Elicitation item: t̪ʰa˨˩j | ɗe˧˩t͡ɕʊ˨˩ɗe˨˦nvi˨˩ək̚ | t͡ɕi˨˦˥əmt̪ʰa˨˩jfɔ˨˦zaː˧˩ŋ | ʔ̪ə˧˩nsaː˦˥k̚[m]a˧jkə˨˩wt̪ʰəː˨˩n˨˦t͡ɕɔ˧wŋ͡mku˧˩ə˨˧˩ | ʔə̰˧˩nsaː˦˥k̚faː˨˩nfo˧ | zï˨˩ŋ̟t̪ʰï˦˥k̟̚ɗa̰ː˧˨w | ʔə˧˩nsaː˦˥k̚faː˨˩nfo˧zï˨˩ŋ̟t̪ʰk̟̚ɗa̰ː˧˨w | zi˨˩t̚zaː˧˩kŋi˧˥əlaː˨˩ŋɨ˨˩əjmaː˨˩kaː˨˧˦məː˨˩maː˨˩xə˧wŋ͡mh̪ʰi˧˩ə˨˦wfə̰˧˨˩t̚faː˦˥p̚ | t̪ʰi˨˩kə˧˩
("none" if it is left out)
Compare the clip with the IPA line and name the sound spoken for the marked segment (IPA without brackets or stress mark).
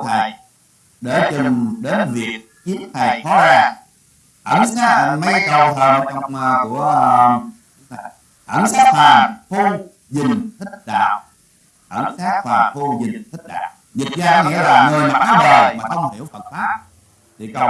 m